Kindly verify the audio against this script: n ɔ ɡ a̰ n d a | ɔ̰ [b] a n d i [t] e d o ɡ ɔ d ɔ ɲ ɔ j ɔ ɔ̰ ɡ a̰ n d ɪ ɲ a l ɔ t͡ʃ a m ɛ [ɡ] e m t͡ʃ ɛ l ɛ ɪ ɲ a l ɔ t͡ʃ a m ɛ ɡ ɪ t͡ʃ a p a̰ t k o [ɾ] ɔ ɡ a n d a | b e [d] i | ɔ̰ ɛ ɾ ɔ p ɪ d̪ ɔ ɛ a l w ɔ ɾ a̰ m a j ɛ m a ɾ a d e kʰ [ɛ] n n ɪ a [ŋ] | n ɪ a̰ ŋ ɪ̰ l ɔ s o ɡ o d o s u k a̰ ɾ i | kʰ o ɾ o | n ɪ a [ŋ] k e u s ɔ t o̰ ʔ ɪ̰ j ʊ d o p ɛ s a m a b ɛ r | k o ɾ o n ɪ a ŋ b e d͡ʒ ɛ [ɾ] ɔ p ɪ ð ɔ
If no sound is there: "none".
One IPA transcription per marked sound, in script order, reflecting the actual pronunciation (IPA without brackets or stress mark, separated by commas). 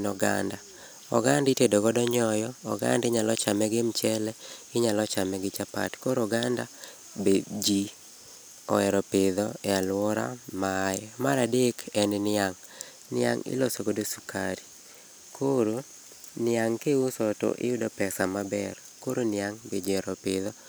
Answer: ɡ, t, ɡ, ɾ, d͡ʒ, ɛ, ŋ, ŋ, ɾ